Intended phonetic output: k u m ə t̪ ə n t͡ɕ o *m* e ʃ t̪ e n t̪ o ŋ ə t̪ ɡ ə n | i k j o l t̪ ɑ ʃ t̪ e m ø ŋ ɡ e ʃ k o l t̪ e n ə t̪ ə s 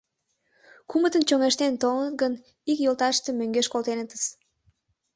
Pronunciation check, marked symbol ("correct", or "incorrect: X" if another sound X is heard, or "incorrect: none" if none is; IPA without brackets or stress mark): incorrect: ŋ